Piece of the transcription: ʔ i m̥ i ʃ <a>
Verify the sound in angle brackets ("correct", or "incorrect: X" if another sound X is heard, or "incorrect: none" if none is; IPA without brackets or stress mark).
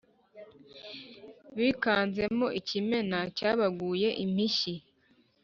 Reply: incorrect: i